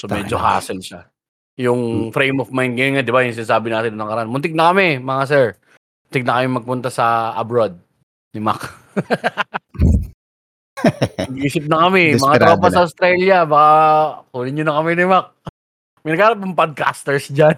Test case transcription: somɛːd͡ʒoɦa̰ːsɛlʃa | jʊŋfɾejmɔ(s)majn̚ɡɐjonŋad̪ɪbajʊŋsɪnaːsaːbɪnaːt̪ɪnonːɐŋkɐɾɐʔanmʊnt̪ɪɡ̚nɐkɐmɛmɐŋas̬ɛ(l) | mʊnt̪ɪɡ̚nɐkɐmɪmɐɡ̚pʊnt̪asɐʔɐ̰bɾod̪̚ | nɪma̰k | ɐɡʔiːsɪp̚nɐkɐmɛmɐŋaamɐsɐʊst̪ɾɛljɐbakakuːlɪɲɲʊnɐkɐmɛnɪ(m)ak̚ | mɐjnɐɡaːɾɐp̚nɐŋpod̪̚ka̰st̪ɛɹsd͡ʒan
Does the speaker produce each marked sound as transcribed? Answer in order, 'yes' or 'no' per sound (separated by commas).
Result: no, no, yes